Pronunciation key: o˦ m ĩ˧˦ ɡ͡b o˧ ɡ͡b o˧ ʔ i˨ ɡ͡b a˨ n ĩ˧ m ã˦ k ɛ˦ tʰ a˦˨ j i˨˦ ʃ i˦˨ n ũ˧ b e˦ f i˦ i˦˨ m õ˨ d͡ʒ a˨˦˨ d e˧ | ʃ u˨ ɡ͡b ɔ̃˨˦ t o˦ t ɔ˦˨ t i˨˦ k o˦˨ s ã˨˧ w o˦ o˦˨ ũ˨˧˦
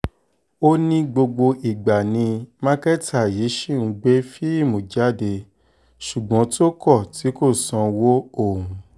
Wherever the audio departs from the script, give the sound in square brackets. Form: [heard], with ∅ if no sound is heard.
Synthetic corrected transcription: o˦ [n] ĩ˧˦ ɡ͡b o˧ ɡ͡b o˧ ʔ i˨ ɡ͡b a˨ n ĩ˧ m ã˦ k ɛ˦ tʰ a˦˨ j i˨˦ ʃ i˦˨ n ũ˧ [ɡ͡b] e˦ f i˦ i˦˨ m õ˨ d͡ʒ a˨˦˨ d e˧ | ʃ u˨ ɡ͡b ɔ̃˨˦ t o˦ [k] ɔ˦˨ t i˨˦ k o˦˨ s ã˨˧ w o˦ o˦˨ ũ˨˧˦